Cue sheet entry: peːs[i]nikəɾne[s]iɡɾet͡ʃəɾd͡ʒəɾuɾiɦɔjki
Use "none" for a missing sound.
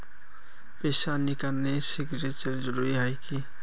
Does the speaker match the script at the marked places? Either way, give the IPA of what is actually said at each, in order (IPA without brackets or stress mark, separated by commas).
a, s